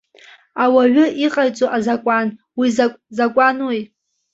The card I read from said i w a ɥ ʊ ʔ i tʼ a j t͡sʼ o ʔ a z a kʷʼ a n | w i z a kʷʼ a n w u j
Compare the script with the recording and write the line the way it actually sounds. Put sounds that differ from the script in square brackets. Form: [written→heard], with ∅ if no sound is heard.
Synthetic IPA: [i→a] w a ɥ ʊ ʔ i [tʼ→qʼ] a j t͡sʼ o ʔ a z a kʷʼ a n | w i z a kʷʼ a n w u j